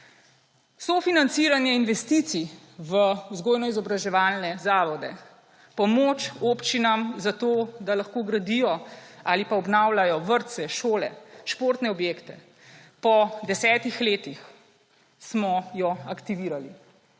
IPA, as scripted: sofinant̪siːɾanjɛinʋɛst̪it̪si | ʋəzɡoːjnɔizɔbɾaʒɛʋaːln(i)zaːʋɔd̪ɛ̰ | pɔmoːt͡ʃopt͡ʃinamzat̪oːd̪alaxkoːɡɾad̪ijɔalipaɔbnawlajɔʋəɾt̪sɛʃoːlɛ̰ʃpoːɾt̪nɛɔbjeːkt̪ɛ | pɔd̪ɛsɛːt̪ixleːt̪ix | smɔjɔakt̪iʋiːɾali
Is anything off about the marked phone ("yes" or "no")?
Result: yes